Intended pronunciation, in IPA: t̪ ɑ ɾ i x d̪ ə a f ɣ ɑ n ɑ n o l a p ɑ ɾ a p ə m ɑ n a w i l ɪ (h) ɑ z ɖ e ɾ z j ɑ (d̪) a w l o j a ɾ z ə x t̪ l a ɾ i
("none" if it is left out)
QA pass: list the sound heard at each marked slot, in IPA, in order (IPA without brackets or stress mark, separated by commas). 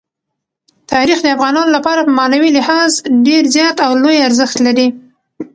h, t̪